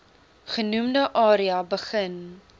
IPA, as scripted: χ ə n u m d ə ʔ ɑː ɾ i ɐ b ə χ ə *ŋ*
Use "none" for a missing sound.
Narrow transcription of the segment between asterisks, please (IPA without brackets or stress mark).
n